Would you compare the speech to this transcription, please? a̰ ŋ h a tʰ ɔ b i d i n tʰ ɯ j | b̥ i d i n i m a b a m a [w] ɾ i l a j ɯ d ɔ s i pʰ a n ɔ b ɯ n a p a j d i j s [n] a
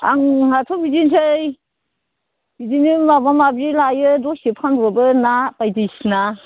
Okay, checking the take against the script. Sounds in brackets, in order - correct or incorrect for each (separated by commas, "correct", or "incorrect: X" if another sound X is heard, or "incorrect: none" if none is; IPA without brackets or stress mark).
incorrect: b, correct